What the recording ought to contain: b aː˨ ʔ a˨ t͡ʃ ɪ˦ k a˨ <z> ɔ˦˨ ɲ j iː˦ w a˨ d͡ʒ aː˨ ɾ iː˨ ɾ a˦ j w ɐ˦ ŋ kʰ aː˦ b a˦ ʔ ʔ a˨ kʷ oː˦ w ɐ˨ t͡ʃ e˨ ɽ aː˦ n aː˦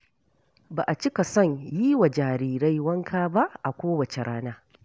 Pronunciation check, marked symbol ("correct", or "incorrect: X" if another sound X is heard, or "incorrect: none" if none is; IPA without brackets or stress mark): incorrect: s